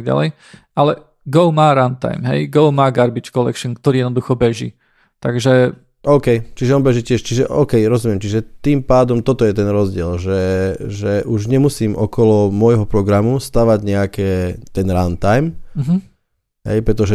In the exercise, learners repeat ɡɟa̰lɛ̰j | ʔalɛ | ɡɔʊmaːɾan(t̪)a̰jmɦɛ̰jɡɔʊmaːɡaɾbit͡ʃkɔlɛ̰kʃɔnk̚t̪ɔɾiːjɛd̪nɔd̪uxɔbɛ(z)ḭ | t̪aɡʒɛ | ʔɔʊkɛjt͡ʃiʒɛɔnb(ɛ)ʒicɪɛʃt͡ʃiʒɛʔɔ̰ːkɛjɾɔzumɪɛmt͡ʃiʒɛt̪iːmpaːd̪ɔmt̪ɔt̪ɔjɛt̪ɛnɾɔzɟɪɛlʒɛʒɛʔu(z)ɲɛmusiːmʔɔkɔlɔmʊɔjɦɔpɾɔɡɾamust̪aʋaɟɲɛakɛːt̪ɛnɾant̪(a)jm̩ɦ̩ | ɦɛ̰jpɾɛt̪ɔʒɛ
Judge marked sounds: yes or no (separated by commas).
yes, no, yes, no, yes